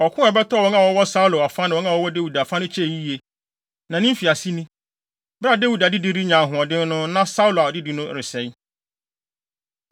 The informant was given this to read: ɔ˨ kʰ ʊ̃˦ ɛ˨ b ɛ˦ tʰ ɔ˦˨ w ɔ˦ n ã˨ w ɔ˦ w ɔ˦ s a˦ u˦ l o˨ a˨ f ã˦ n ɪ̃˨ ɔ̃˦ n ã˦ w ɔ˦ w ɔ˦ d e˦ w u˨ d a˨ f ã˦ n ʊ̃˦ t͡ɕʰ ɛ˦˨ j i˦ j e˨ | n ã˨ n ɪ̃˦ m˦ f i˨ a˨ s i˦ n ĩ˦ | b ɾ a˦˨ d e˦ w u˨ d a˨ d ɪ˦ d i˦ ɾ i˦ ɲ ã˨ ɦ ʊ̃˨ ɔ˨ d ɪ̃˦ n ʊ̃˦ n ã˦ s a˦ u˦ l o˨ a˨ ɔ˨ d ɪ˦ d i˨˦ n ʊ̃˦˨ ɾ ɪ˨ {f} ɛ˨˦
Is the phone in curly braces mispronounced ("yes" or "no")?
yes